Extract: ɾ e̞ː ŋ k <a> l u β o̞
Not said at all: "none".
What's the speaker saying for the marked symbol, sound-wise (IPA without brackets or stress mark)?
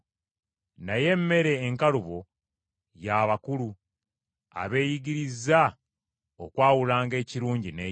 a